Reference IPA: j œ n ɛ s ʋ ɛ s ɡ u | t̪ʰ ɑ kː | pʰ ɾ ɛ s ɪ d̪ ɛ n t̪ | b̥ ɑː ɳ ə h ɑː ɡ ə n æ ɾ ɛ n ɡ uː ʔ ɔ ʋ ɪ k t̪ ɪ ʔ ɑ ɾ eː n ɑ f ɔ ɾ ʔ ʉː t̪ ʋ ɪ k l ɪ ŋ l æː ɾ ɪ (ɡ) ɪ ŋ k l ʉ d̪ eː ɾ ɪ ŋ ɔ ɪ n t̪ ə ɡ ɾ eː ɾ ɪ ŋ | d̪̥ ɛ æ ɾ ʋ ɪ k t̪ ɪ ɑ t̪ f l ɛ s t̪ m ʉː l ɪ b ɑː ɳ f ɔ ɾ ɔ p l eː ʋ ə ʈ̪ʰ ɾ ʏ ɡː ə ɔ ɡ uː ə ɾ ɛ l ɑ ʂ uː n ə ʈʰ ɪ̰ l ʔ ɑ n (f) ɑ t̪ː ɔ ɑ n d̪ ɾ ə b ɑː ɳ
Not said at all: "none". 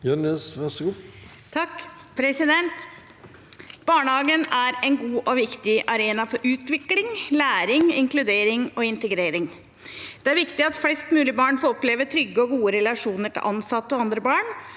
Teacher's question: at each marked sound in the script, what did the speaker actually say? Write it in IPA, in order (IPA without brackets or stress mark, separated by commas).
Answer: ŋ, s